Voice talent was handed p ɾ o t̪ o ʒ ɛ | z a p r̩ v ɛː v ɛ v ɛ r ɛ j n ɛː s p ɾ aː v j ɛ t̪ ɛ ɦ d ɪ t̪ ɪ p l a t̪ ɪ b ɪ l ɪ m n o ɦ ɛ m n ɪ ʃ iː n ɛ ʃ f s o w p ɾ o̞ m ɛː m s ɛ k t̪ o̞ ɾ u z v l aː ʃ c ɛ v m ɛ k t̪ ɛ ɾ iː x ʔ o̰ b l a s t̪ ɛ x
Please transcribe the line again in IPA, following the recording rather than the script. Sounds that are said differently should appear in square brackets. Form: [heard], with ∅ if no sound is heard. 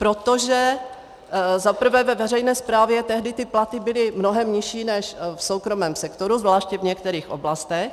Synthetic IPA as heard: p ɾ o t̪ o ʒ ɛ | z a p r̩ v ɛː v ɛ v ɛ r ɛ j n ɛː s p ɾ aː v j ɛ t̪ ɛ ɦ d ɪ t̪ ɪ p l a t̪ ɪ b ɪ l ɪ m n o ɦ ɛ m [ɲ] ɪ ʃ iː n ɛ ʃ f s o w [k] ɾ o̞ m ɛː m s ɛ k t̪ o̞ ɾ u z v l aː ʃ c ɛ v [ɲ] ɛ k t̪ ɛ ɾ iː x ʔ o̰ b l a s t̪ ɛ x